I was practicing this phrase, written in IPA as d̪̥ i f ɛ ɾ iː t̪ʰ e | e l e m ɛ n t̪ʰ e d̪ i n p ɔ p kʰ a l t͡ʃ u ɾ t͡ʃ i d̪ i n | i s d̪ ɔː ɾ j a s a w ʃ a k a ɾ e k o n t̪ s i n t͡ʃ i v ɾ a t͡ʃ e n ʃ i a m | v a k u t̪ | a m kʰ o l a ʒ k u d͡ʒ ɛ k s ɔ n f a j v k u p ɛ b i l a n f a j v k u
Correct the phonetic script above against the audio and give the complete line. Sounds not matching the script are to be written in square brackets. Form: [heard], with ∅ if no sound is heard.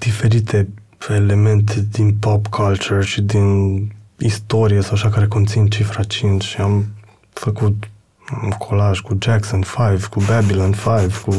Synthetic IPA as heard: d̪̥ i f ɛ ɾ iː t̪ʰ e | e l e m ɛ n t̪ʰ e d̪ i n p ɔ p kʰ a l t͡ʃ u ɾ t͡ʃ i d̪ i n | i s [t̪] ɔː ɾ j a s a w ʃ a k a ɾ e k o n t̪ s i n t͡ʃ i [f] ɾ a t͡ʃ [i] n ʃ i a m | [f] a k u t̪ | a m kʰ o l a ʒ k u d͡ʒ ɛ k s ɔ n f a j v k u [b] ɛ b i l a n f a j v k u